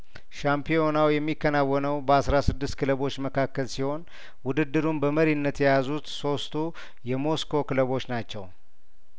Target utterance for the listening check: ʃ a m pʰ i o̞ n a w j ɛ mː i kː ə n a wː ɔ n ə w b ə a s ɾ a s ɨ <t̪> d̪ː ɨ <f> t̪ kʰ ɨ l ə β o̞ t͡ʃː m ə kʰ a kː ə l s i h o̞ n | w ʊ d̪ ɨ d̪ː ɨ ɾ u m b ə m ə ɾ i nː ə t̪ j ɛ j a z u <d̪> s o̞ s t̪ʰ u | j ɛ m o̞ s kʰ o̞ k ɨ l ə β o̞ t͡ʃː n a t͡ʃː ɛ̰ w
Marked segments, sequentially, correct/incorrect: incorrect, incorrect, incorrect

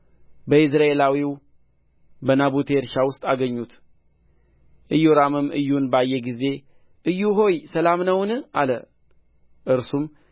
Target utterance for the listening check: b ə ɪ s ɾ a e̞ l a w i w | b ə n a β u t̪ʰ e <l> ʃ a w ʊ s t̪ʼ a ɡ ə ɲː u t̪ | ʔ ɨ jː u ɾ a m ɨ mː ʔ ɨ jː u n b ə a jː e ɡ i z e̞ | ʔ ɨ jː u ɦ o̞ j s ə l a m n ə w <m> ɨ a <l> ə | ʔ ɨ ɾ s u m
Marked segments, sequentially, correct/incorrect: incorrect, incorrect, correct

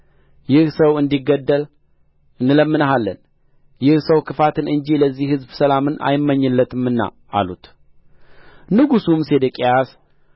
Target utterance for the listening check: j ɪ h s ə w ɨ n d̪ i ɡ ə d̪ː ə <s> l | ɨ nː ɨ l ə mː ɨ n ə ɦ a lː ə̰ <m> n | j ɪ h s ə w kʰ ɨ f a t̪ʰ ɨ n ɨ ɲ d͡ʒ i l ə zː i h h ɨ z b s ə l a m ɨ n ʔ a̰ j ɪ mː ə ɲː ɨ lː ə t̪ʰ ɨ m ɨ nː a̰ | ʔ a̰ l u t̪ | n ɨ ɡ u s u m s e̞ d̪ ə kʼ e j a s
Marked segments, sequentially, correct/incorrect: incorrect, incorrect

